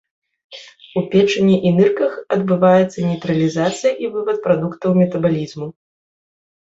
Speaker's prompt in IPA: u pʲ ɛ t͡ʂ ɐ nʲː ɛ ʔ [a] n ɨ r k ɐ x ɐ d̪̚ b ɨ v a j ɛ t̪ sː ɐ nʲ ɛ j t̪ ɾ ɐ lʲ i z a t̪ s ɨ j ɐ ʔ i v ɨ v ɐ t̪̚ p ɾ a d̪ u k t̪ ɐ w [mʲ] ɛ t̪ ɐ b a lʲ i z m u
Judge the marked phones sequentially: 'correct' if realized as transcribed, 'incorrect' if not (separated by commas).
incorrect, correct